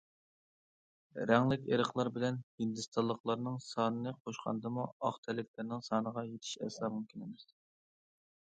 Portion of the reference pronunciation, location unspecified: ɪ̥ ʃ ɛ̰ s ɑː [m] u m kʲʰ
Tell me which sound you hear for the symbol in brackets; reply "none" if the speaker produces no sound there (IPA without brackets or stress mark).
m